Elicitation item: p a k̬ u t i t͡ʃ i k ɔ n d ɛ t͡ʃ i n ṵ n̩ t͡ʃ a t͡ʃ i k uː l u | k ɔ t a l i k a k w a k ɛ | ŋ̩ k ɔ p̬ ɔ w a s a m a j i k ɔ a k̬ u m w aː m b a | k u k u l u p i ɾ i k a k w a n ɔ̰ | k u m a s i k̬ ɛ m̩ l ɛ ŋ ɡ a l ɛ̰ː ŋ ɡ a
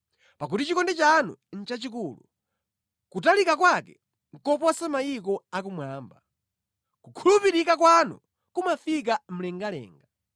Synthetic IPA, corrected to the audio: p a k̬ u t i t͡ʃ i k ɔ n d ɛ t͡ʃ a n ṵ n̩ t͡ʃ a t͡ʃ i k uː l u | k u t a l i k a k w a k ɛ | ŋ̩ k ɔ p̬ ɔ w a s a m a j i k ɔ a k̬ u m w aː m b a | k u kʰ u l u p i ɾ i k a k w a n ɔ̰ | k u m a f i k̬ a m̩ l ɛ ŋ ɡ a l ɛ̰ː ŋ ɡ a